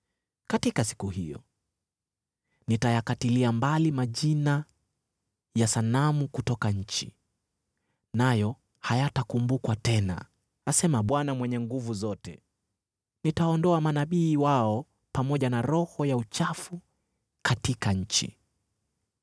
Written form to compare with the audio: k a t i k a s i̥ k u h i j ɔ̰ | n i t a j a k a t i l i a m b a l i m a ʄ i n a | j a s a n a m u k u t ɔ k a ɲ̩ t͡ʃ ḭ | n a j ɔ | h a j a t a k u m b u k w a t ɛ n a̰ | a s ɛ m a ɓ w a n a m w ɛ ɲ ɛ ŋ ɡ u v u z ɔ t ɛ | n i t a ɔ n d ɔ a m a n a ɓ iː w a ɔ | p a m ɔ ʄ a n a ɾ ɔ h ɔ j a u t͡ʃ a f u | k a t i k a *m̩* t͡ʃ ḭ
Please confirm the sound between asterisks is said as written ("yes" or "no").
no